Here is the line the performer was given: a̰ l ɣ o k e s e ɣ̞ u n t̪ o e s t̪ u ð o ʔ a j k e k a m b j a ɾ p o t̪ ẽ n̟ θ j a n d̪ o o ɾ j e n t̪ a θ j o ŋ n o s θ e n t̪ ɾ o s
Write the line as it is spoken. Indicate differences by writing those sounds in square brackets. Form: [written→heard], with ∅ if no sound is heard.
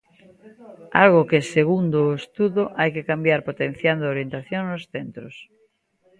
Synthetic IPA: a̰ l ɣ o k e s e ɣ̞ u n [t̪→d̪] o e s t̪ u ð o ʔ a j k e k a m b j a ɾ p o t̪ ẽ n̟ θ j a n d̪ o o ɾ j e n t̪ a θ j o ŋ n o s θ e n t̪ ɾ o s